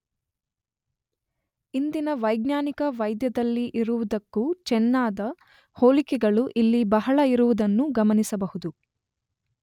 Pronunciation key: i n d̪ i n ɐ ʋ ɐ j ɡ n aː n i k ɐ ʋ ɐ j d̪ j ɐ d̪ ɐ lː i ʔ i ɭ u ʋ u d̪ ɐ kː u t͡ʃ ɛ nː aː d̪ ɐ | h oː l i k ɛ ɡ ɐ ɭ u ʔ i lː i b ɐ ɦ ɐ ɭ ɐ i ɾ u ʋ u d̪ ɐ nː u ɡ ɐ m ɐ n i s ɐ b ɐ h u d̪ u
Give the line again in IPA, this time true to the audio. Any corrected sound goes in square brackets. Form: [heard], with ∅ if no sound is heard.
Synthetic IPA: i n d̪ i n ɐ ʋ ɐ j ɡ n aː n i k ɐ ʋ ɐ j d̪ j ɐ d̪ ɐ lː i ʔ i [ɾ] u ʋ u d̪ ɐ kː u t͡ʃ ɛ nː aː d̪ ɐ | h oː l i k ɛ ɡ ɐ ɭ u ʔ i lː i b ɐ ɦ ɐ ɭ ɐ i ɾ u ʋ u d̪ ɐ nː u ɡ ɐ m ɐ n i s ɐ b ɐ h u d̪ u